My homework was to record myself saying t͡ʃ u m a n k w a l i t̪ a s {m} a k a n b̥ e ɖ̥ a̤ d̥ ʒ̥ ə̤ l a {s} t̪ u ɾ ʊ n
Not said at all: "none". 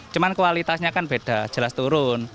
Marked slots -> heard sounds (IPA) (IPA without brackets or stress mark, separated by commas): ɲ, s